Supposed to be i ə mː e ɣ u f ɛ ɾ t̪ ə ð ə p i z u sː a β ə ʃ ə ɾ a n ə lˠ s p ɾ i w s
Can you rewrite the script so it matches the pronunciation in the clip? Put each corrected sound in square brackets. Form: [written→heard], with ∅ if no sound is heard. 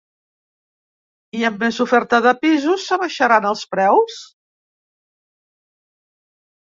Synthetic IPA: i ə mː e [ɣ→z] u f ɛ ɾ t̪ ə ð ə p i z u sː [a→ə] β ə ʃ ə ɾ a n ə lˠ s p ɾ [i→ɛ] w s